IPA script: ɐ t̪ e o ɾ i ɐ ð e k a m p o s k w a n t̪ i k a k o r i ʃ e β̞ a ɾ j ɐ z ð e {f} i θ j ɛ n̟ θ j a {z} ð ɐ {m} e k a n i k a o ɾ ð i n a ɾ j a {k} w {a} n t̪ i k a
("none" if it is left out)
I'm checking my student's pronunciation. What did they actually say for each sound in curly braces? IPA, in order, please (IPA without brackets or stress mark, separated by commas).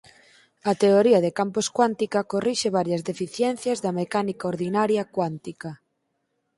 f, z, m, k, a